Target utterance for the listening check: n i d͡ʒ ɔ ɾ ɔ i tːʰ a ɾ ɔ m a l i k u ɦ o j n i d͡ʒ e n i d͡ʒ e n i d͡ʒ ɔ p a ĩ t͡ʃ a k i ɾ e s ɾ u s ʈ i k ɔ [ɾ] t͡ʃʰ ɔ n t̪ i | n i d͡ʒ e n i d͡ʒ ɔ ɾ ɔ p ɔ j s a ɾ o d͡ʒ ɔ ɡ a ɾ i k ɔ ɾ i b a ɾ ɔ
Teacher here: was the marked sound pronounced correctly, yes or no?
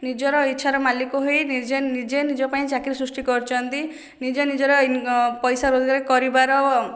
yes